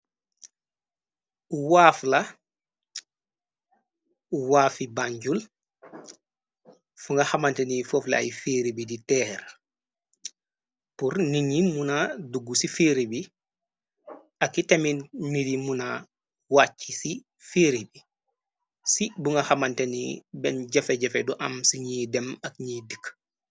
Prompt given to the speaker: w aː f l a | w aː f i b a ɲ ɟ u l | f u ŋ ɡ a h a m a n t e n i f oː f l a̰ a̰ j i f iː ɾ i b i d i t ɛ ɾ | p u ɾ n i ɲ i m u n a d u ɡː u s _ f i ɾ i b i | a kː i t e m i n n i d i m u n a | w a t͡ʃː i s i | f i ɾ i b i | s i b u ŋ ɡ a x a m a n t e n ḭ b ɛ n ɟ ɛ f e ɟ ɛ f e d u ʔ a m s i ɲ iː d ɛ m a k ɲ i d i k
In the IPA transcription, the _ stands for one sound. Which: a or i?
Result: i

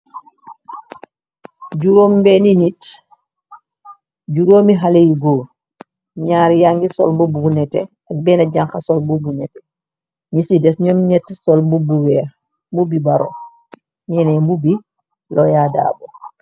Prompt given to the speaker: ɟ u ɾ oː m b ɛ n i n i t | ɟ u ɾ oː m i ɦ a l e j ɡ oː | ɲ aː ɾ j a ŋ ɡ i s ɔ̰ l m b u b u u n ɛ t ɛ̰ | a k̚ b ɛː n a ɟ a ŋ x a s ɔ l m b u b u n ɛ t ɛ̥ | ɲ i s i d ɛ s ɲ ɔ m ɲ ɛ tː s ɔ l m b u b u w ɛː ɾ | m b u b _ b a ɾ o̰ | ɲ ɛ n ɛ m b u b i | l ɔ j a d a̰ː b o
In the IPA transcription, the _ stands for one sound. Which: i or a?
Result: i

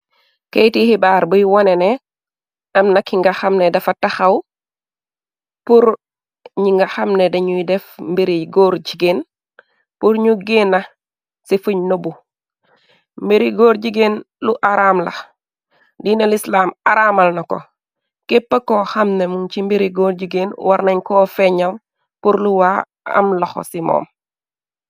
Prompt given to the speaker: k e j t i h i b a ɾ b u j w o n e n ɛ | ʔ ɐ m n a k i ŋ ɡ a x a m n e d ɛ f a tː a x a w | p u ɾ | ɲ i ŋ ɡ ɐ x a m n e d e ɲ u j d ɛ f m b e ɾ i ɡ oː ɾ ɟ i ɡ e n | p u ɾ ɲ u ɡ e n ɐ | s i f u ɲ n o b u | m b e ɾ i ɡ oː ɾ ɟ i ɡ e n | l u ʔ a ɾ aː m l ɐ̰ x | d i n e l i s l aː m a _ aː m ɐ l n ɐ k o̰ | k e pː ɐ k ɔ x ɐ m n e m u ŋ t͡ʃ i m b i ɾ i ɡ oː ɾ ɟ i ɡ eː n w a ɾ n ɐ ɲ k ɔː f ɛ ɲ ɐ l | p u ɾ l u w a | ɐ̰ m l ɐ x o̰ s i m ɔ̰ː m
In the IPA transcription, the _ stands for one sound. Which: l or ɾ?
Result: ɾ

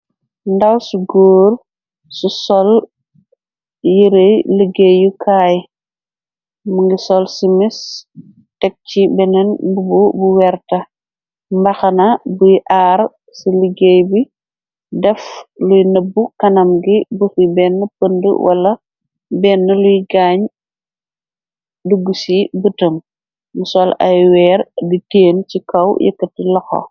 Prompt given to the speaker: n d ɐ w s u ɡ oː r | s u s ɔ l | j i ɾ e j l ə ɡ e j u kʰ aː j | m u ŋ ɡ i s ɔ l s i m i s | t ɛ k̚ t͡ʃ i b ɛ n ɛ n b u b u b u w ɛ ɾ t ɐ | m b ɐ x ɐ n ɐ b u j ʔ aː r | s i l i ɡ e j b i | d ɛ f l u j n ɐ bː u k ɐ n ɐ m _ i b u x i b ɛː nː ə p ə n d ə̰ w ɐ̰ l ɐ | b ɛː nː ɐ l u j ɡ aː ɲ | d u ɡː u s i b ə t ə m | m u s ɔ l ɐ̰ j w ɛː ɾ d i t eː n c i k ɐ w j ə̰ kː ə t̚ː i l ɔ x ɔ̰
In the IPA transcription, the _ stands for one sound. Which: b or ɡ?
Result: ɡ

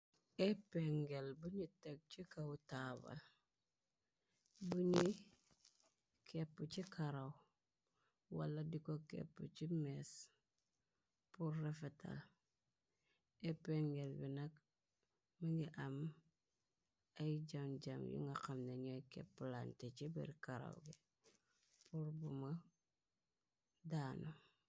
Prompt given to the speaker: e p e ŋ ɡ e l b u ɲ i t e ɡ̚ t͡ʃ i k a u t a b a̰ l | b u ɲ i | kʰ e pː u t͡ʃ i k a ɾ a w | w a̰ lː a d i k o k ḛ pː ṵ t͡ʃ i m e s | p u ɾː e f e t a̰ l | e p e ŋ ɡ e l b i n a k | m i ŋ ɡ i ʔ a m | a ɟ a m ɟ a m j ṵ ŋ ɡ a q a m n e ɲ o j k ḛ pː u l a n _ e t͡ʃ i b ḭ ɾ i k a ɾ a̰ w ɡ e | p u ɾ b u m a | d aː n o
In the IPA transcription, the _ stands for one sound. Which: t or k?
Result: t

